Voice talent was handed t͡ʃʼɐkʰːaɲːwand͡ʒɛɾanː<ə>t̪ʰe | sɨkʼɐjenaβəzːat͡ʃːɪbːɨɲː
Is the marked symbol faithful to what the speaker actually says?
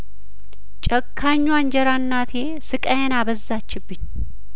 no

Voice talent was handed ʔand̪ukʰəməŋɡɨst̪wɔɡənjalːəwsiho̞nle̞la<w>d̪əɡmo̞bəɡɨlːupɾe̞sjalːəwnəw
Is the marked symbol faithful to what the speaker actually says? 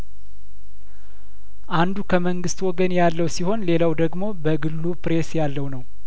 yes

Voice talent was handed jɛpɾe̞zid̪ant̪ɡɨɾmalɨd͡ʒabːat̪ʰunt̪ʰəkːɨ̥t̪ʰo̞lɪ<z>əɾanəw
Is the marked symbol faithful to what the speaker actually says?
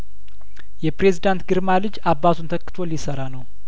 no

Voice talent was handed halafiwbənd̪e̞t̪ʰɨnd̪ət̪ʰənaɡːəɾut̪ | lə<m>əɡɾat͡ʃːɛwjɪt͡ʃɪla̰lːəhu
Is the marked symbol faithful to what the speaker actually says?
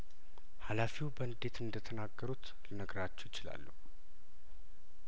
no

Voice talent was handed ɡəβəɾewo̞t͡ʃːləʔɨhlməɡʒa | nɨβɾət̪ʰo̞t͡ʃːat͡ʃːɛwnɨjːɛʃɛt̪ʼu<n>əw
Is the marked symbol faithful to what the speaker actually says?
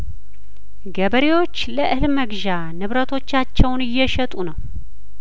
yes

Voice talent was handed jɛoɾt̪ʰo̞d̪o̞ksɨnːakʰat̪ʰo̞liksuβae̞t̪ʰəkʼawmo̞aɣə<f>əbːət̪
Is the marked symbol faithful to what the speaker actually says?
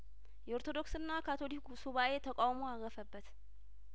yes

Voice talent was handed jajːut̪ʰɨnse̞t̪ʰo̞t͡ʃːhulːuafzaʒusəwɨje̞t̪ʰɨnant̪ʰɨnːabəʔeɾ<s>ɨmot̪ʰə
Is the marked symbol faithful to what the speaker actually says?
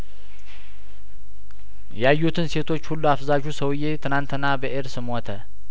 yes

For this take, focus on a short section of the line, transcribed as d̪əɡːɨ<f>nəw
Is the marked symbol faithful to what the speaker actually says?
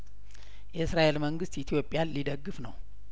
yes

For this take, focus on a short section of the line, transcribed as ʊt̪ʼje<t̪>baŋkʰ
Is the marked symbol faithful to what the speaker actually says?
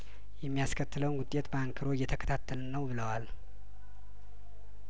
yes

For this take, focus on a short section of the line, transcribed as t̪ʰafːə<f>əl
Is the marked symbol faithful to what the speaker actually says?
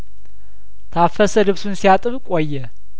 no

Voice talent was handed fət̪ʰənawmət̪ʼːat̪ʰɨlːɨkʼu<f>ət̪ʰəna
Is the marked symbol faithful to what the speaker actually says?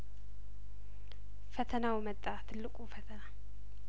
yes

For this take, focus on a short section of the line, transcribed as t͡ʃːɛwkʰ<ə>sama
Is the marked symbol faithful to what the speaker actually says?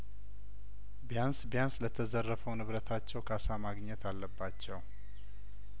no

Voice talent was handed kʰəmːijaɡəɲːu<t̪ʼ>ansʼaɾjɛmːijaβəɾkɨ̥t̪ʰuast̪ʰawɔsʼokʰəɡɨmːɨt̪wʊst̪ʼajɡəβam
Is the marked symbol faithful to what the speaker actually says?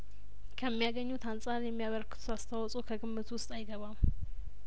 no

